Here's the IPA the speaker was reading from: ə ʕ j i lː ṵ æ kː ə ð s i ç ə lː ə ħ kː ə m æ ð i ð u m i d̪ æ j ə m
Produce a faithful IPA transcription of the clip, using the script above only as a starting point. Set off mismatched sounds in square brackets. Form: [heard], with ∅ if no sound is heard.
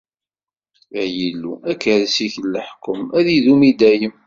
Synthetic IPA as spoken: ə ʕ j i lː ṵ æ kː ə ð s i ç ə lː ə ħ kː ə m æ ð i ð u m i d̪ æ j ə m